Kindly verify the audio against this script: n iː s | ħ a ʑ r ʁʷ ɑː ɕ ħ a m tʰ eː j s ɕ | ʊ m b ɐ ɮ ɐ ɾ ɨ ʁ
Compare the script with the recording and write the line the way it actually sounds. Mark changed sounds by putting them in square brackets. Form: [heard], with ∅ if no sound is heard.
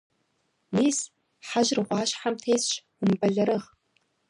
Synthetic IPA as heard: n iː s | ħ a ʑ r ʁʷ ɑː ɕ ħ a m tʰ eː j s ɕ | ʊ m b ɐ ɮ ɐ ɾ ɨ ʁ